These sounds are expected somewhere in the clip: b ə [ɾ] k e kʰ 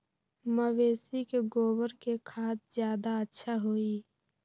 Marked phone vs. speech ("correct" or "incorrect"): correct